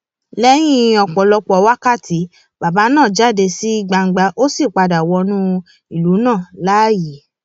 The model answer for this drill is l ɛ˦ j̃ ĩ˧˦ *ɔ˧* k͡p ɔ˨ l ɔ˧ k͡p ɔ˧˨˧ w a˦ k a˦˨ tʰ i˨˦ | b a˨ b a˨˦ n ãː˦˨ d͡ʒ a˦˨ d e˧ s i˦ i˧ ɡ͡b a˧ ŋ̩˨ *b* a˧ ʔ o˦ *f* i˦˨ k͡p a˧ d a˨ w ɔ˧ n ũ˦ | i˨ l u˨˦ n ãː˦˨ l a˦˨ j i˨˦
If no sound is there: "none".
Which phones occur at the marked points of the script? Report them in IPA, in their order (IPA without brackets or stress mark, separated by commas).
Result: ɔ˧, ɡ͡b, s